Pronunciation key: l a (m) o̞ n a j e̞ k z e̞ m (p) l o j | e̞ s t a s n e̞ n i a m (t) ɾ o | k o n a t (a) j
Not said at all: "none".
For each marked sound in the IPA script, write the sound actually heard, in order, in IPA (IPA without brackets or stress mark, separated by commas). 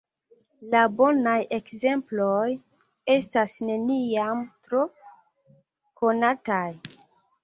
b, p, t, a